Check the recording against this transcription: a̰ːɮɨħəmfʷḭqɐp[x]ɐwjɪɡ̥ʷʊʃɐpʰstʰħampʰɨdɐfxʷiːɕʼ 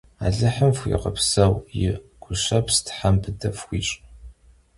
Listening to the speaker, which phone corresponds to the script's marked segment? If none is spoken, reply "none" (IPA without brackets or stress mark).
s